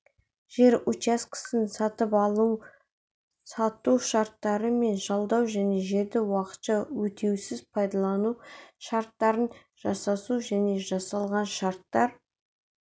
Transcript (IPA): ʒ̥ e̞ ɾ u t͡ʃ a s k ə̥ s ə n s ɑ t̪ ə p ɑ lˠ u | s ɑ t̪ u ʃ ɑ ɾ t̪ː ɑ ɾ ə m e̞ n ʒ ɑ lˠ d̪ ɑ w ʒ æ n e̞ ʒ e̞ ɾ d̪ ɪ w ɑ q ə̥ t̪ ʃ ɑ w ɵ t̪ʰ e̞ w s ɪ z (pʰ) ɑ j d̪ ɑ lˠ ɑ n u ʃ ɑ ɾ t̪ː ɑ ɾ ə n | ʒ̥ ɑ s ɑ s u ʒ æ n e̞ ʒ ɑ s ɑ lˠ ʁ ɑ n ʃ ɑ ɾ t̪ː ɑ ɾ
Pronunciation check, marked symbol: correct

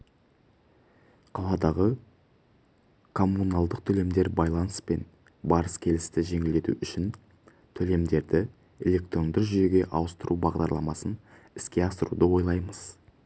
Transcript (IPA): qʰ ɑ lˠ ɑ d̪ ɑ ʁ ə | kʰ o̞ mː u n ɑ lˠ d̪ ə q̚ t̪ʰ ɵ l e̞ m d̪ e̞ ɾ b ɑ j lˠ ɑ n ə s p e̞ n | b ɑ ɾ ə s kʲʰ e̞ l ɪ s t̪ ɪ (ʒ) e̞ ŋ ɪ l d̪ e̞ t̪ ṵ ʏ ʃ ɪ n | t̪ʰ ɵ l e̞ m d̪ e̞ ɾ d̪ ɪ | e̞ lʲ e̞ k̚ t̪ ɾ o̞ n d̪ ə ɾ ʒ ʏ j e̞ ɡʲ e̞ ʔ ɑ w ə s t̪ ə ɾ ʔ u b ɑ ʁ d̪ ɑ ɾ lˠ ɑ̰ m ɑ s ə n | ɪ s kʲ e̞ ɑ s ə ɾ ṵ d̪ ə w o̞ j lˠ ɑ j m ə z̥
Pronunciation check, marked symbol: correct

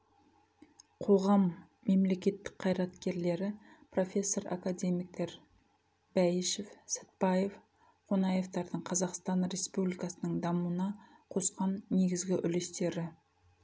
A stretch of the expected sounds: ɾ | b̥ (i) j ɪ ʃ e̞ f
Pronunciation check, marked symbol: incorrect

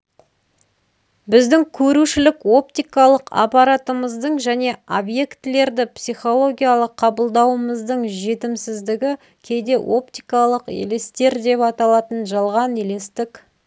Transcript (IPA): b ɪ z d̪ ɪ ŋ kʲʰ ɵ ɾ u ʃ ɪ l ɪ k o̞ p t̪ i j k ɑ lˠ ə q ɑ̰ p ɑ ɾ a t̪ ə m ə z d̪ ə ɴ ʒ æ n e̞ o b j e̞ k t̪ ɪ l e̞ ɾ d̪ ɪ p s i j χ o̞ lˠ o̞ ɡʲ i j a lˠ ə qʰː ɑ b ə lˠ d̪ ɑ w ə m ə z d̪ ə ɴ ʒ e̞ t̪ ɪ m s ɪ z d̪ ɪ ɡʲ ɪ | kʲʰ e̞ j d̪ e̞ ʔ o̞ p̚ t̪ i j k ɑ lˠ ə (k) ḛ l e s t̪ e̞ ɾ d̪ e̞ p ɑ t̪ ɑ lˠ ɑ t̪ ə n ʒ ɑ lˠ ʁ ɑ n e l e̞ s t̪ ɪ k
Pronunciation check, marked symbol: incorrect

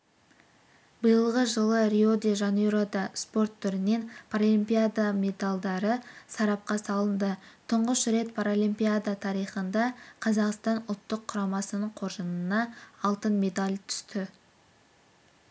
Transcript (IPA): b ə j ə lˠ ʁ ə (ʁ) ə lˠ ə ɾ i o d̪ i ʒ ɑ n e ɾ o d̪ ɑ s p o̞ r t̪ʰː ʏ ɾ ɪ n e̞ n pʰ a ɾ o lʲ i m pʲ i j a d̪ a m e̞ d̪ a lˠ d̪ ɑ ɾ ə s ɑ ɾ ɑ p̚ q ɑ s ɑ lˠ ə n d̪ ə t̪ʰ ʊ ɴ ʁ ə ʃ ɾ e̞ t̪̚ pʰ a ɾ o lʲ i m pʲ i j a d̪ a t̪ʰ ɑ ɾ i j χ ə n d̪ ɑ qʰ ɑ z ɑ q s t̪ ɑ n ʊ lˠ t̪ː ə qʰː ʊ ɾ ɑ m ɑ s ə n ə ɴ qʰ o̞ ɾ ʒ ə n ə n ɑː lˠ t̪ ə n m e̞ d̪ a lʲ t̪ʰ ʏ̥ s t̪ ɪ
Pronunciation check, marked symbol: incorrect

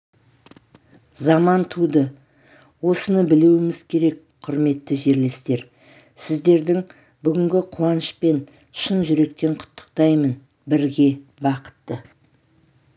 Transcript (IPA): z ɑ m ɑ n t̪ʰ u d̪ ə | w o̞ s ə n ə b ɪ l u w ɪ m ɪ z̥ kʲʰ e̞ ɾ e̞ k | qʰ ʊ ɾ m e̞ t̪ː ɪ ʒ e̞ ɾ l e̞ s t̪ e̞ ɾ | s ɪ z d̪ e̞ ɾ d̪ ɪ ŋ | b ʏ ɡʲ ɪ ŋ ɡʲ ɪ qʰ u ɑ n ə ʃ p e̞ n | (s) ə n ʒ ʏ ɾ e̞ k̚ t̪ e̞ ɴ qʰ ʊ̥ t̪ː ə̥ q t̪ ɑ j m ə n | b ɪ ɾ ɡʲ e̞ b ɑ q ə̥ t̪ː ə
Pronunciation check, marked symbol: incorrect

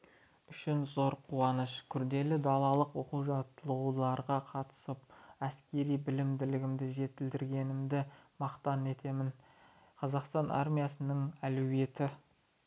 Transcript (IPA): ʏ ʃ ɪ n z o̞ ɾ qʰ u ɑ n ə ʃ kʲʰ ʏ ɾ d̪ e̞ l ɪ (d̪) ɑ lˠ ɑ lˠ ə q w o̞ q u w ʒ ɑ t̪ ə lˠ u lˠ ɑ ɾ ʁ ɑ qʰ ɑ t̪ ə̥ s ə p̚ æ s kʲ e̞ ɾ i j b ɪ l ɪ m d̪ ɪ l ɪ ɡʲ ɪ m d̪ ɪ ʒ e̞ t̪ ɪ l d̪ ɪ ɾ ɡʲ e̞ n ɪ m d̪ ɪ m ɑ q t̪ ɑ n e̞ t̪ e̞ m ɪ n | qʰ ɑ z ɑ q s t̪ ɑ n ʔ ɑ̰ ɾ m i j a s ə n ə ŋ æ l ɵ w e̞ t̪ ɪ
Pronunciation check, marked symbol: correct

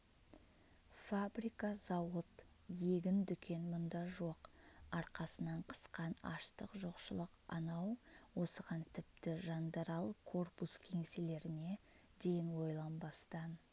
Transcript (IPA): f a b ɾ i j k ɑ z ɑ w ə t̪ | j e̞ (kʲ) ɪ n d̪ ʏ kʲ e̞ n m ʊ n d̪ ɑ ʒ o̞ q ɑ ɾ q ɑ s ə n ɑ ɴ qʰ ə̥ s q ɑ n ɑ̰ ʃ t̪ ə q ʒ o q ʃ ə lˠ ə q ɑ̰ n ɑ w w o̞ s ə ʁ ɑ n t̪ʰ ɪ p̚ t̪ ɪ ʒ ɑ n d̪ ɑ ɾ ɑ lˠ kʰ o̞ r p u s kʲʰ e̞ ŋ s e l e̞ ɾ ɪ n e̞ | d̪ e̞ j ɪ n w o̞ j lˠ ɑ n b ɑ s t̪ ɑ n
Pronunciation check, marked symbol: incorrect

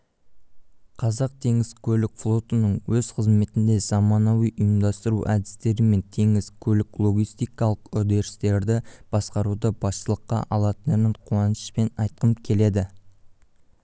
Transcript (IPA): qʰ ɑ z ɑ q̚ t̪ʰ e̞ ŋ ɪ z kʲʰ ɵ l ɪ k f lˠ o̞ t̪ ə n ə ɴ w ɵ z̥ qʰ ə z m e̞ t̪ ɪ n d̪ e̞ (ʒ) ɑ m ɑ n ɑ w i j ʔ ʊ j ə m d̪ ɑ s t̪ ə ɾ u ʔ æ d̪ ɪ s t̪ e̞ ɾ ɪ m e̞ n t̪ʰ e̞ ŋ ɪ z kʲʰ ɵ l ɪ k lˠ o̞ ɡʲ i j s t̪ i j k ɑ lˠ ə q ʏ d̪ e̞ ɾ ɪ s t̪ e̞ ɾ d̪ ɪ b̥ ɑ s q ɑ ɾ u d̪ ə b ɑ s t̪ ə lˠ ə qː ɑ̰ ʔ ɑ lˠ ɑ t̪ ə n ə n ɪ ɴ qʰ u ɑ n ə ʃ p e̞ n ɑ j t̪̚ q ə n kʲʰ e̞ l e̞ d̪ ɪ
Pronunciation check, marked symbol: incorrect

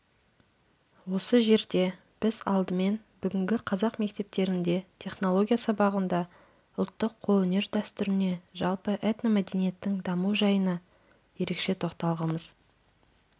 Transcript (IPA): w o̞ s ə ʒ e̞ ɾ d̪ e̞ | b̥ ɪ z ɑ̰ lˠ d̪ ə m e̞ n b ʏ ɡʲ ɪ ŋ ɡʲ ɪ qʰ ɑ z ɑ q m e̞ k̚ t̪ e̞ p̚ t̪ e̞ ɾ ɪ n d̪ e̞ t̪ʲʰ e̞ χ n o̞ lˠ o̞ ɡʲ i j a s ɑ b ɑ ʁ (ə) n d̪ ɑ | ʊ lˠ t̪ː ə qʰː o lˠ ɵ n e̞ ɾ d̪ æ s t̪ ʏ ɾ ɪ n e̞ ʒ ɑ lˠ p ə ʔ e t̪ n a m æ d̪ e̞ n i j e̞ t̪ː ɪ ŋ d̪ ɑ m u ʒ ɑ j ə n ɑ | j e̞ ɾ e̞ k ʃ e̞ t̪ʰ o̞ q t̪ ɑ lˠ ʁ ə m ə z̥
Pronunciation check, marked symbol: correct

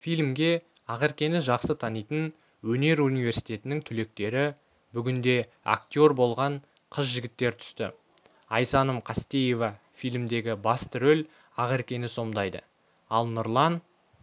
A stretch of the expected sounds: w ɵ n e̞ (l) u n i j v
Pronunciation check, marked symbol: incorrect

